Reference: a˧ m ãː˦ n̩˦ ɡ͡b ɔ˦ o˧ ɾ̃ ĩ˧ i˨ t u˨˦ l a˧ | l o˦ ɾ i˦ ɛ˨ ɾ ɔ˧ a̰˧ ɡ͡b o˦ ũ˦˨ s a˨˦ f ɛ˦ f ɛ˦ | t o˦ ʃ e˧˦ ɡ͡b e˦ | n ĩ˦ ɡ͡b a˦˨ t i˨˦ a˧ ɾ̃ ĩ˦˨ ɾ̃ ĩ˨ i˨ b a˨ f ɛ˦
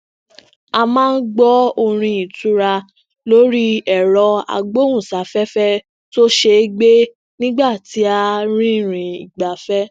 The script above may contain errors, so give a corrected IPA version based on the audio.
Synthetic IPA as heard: a˧ m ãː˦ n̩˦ ɡ͡b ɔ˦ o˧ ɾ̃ ĩ˧ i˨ t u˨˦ ɾ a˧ | l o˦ ɾ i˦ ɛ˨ ɾ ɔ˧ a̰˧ ɡ͡b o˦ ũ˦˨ s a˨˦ f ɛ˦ f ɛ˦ | t o˦ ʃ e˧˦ ɡ͡b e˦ | n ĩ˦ ɡ͡b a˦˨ t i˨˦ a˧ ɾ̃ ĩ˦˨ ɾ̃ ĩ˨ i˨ ɡ͡b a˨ f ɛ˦

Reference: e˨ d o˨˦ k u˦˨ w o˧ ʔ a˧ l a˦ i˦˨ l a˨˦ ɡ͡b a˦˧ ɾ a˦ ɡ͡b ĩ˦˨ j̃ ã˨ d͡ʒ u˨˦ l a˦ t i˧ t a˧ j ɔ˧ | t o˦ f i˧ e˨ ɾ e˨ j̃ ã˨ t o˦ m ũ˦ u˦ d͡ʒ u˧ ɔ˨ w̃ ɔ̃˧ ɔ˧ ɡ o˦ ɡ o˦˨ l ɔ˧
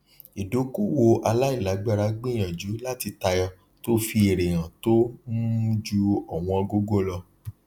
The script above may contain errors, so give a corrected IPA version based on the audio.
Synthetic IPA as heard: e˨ d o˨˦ k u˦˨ w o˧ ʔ a˧ l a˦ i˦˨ l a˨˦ ɡ͡b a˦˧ ɾ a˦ ɡ͡b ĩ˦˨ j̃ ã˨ d͡ʒ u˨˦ l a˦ t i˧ t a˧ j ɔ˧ | t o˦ f i˧ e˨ ɾ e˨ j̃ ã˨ t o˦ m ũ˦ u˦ d͡ʒ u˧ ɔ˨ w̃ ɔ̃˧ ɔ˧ ɡ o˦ ɡ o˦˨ l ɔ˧

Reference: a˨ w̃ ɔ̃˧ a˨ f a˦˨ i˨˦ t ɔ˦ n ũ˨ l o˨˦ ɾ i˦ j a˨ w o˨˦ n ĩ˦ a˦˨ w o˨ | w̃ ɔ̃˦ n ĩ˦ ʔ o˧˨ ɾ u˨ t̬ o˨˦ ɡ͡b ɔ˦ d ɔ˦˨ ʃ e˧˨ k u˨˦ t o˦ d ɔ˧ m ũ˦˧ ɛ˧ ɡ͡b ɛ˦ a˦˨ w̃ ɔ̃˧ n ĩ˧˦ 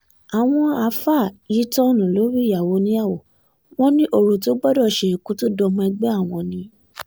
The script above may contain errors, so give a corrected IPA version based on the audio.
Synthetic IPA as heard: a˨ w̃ ɔ̃˧ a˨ f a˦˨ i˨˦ t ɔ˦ n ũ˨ l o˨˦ ɾ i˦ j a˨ w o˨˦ n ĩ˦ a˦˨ w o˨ | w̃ ɔ̃˦ n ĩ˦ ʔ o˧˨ ɾ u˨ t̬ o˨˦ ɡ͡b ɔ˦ d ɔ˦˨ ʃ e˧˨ k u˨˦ t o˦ d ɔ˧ m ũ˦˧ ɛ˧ ɡ͡b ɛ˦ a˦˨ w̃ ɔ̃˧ n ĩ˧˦

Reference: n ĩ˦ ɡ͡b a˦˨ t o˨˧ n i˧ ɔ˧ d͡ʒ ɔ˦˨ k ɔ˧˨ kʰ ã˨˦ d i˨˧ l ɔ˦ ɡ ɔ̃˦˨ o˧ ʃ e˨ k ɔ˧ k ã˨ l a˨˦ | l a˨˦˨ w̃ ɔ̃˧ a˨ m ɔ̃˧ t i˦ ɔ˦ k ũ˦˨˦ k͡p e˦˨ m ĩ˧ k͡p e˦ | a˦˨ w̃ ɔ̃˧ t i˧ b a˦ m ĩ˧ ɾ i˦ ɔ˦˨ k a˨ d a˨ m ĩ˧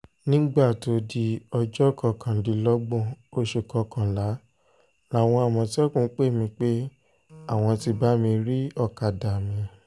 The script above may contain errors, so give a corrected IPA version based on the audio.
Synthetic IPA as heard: n ĩ˦ ɡ͡b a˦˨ t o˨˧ d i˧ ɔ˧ d͡ʒ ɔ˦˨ k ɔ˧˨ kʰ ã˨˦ d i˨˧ l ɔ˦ ɡ͡b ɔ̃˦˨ o˧ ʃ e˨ k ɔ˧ k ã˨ l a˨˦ | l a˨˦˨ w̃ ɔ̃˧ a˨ m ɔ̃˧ t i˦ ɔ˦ k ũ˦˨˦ k͡p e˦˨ m ĩ˧ k͡p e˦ | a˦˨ w̃ ɔ̃˧ t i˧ b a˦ m ĩ˧ ɾ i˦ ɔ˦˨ k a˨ d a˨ m ĩ˧

